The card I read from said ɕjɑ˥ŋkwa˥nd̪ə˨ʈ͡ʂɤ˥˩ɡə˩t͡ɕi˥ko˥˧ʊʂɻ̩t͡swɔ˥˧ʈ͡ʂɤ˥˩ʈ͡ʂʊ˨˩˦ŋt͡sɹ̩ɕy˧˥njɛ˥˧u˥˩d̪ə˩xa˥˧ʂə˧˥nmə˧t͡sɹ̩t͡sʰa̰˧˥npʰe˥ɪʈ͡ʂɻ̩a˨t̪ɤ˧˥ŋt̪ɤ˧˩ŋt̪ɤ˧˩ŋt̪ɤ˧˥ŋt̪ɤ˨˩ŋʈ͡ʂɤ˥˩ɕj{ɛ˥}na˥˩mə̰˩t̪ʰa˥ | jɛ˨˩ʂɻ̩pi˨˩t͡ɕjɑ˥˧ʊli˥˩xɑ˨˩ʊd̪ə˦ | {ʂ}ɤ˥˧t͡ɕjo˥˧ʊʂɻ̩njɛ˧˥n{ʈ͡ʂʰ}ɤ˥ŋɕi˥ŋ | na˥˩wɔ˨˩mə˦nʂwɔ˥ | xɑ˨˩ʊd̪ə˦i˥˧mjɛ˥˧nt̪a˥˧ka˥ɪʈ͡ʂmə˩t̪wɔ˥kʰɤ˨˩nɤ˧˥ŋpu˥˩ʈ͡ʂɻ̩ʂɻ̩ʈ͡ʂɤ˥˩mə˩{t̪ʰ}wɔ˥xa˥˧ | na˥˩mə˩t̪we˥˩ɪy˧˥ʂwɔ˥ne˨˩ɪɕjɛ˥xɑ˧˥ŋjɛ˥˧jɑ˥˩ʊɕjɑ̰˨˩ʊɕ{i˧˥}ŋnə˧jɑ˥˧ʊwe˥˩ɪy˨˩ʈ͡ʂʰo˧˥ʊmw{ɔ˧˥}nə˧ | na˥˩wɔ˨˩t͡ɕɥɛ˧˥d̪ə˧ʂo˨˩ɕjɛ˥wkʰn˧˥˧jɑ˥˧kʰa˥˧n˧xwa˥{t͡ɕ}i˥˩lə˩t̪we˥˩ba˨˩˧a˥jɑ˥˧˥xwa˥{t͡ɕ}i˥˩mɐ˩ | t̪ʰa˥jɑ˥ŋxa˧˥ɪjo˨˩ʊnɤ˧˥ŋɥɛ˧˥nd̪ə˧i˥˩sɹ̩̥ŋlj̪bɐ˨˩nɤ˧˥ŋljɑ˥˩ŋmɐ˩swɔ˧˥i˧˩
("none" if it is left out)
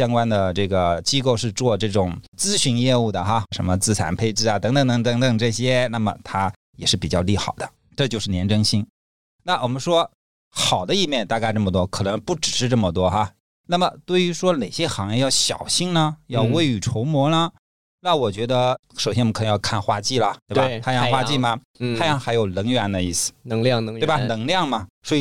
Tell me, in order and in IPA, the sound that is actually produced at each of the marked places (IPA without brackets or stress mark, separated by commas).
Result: ɛ˥, ʈ͡ʂ, ʈ͡ʂ, t̪, i˥˧, ɔ˧˥, t͡ɕ, t͡ɕ